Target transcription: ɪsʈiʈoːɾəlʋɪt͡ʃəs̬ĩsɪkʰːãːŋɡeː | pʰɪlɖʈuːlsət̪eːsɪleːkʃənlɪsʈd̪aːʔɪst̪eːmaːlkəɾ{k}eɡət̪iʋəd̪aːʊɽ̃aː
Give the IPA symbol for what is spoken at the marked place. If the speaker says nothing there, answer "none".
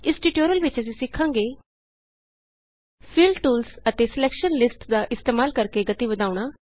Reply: k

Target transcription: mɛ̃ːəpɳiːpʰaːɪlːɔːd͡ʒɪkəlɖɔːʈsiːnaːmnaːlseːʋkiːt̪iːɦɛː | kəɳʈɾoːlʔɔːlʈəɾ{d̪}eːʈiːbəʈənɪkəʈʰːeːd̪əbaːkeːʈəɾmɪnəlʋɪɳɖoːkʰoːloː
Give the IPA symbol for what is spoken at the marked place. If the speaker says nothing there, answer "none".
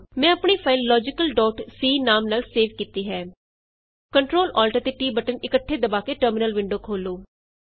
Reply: t̪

